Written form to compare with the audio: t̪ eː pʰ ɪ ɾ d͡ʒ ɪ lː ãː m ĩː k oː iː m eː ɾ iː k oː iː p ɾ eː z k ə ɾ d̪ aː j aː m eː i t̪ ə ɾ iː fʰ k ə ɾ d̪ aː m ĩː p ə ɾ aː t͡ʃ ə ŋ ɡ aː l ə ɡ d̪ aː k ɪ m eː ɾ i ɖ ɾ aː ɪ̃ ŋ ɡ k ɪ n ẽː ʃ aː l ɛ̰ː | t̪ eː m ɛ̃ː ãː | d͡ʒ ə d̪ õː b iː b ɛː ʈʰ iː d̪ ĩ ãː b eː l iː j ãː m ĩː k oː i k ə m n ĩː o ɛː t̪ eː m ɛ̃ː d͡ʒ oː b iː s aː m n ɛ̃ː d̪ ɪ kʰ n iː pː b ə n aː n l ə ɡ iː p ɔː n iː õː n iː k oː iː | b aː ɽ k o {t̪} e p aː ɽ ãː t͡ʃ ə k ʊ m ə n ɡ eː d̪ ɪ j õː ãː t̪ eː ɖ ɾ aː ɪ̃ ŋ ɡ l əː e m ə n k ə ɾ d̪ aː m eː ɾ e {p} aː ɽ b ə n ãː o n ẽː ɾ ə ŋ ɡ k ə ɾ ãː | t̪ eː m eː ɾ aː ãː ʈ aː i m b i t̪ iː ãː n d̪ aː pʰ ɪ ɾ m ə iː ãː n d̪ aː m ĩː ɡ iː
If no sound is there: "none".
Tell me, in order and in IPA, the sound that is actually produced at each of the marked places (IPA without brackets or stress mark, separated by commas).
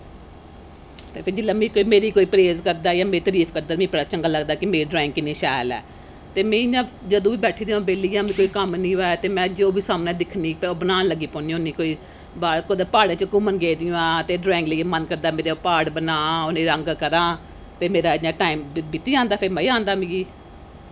d̪, p